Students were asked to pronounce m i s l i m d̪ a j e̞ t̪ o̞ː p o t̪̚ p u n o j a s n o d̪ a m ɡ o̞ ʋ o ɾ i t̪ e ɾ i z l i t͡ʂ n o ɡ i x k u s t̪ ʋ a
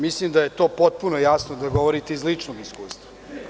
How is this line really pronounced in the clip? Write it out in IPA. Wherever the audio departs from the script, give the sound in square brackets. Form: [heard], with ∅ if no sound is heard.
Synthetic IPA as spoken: m i s l i m d̪ a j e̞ t̪ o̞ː p o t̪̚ p u n o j a s n o d̪ a [∅] ɡ o̞ ʋ o ɾ i t̪ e [∅] i z l i t͡ʂ n o ɡ i [s] k [uː] s t̪ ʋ a